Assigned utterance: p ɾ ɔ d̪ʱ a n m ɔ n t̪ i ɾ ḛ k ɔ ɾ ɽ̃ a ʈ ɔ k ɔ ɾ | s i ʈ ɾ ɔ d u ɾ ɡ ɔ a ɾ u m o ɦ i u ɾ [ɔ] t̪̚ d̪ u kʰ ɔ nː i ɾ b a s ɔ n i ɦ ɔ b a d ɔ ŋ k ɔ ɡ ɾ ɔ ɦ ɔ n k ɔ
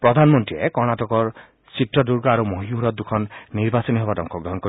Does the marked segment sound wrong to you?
no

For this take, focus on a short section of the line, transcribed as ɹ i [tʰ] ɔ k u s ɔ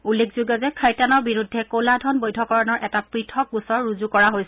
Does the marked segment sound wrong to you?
no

